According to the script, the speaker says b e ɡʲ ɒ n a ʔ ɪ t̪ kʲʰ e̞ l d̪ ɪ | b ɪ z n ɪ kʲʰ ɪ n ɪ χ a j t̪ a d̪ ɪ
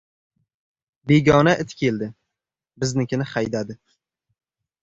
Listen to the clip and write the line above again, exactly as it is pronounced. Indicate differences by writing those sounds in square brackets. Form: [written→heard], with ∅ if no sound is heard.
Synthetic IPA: b e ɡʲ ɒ n a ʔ ɪ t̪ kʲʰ e̞ l d̪ ɪ | b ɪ z n ɪ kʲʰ ɪ n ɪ χ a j [t̪→d̪] a d̪ ɪ